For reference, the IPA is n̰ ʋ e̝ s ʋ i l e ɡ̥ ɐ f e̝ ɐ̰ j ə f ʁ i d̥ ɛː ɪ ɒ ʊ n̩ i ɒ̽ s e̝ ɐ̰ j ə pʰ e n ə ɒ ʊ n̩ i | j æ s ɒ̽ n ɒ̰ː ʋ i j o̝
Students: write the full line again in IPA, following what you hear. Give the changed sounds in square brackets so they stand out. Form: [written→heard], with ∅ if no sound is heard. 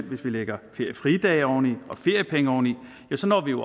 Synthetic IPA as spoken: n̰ ʋ e̝ s ʋ i l e ɡ̥ ɐ f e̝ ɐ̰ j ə f ʁ i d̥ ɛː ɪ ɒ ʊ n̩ i ɒ̽ [s→f] e̝ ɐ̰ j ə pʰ e [n→ŋ] ə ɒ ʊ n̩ i | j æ s ɒ̽ n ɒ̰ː ʋ i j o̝